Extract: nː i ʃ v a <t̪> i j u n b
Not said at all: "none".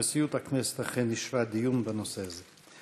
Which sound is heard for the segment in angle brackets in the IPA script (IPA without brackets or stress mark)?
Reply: d̪